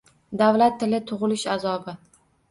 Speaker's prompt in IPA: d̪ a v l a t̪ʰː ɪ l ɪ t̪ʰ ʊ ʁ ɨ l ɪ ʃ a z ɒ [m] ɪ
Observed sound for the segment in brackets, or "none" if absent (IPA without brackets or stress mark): b